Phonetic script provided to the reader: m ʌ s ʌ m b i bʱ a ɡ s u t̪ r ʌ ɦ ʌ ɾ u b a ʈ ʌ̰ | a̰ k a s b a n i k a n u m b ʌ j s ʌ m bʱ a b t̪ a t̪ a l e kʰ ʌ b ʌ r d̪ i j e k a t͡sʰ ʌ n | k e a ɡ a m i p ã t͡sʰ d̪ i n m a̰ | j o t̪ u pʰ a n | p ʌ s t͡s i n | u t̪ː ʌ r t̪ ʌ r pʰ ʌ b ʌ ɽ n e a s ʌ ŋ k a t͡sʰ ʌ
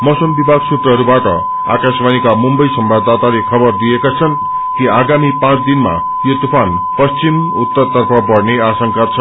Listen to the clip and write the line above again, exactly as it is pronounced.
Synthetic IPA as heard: m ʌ s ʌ m b i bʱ a ɡ s u t̪ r ʌ ɦ ʌ ɾ u b a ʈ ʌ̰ | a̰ k a s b a n i k a m u m b ʌ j s ʌ m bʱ a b d̪ a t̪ a l e kʰ ʌ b ʌ r d̪ i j e k a t͡sʰ ʌ n | k i a ɡ a m i p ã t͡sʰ d̪ i n m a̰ | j o t̪ u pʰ a n | p ʌ s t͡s i m | u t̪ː ʌ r t̪ ʌ r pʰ ʌ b ʌ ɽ n e a s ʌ ŋ k a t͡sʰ ʌ